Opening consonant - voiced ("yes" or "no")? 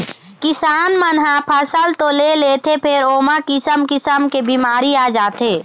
no